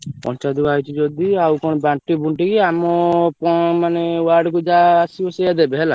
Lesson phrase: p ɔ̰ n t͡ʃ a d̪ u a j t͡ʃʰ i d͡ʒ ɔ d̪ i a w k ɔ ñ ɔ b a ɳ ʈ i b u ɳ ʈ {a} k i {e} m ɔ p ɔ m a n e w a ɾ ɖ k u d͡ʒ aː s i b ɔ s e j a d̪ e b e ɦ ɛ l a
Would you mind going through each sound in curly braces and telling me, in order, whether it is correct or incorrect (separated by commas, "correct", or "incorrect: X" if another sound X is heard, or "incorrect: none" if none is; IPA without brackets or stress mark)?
incorrect: i, incorrect: a